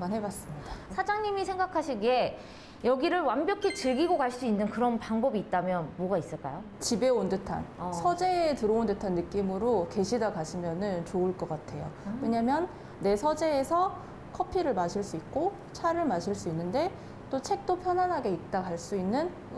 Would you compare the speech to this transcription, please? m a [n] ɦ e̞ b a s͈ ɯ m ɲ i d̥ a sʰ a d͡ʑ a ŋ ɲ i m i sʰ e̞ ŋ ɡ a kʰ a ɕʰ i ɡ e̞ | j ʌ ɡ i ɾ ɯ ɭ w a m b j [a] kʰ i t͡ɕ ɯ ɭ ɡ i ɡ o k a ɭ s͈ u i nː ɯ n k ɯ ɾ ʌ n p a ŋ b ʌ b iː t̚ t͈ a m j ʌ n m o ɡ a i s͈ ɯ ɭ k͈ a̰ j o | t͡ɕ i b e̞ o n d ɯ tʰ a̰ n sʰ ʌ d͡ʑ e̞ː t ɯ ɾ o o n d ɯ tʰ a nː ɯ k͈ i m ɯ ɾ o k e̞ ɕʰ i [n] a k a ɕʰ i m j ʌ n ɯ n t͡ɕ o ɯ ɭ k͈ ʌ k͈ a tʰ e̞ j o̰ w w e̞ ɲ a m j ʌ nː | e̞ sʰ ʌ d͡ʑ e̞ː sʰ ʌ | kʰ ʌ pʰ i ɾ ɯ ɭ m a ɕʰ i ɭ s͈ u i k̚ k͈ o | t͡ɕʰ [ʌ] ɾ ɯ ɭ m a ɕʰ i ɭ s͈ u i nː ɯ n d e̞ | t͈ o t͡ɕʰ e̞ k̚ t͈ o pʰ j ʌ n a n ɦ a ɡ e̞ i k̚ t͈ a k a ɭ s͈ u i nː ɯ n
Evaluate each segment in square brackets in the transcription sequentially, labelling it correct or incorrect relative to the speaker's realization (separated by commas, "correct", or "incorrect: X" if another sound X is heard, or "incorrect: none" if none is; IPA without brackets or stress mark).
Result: correct, incorrect: ʌ, incorrect: d, incorrect: a